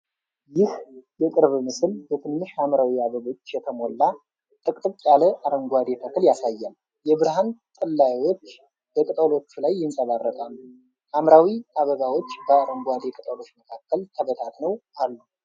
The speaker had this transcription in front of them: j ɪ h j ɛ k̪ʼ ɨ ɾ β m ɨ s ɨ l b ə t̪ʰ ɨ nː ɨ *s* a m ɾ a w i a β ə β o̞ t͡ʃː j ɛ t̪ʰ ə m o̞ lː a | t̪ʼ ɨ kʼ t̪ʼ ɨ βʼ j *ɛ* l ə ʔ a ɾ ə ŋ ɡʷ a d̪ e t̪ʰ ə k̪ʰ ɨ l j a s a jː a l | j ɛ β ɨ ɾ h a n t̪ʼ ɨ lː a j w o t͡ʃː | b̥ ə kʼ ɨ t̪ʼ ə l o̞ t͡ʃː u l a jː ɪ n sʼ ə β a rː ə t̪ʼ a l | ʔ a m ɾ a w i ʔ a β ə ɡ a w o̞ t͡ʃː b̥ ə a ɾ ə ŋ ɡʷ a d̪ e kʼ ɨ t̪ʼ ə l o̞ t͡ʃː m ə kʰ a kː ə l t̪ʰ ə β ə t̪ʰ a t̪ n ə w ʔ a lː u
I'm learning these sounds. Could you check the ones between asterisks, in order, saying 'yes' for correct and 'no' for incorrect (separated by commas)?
no, no